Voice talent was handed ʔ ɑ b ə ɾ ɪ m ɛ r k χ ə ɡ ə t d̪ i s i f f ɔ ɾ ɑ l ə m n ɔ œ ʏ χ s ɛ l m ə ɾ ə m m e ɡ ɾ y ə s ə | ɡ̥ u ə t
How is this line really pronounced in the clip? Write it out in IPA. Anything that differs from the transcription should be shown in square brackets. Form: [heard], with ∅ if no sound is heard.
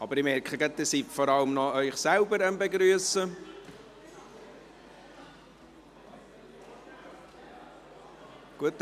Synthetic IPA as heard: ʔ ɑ b ə ɾ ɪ m ɛ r k χ ə ɡ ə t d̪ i s i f f ɔ ɾ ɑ l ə m n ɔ œ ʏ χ s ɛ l [b] ə ɾ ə m [b] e ɡ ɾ y ə s ə | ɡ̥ u ə t

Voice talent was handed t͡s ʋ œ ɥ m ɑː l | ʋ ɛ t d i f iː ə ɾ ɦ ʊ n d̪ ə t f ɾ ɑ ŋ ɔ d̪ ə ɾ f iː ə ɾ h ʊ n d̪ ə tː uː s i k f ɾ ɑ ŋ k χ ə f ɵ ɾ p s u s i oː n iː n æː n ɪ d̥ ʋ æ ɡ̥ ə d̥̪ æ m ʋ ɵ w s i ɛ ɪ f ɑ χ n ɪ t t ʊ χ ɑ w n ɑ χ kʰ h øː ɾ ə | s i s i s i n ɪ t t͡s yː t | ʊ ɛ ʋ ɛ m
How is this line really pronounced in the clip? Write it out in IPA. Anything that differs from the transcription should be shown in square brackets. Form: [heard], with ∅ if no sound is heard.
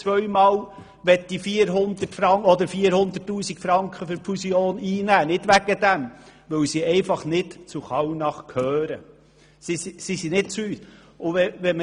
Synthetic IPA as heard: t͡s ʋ œ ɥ m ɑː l | ʋ ɛ t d i f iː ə ɾ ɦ ʊ n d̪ ə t f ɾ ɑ ŋ ɔ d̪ ə ɾ f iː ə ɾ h ʊ n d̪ ə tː uː s i k f ɾ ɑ ŋ k χ ə f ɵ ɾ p [f] u s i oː n iː n æː n ɪ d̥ ʋ æ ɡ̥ ə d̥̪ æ m ʋ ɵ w s i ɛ ɪ f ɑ χ n ɪ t [t͡s] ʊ χ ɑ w n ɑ χ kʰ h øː ɾ ə | s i s i s i n ɪ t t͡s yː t | ʊ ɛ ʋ ɛ m

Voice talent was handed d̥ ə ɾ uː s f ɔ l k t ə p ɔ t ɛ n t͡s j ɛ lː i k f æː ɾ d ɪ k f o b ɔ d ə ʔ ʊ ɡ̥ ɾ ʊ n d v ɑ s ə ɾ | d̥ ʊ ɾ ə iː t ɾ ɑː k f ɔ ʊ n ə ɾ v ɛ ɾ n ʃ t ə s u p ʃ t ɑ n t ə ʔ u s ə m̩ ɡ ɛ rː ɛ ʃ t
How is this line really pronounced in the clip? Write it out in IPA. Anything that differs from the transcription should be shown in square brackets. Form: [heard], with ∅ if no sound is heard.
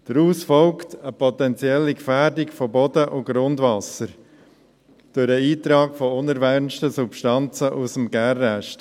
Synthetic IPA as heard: d̥ ə ɾ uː s f ɔ l k t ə p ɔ t ɛ n t͡s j ɛ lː i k f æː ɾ d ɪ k f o b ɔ d ə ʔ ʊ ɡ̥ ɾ ʊ n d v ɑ s ə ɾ | d̥ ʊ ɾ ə iː t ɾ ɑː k f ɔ ʊ n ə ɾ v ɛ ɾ n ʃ t ə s u p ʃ t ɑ n [t͡s] ə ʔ u s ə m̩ ɡ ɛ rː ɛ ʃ t

